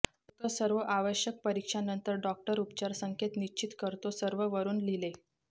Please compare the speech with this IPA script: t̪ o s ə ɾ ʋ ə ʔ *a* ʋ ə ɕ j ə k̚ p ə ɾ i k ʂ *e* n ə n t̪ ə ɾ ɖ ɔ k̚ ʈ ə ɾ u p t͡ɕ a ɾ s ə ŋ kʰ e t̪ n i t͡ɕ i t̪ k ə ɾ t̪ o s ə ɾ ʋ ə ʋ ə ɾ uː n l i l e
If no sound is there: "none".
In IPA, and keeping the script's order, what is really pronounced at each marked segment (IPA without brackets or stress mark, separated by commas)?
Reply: a, a